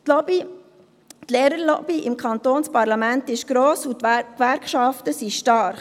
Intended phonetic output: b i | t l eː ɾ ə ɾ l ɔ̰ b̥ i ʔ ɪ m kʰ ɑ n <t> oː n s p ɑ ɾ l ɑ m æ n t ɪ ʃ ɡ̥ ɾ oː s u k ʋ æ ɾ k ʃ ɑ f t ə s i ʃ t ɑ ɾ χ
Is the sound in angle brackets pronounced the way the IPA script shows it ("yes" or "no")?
yes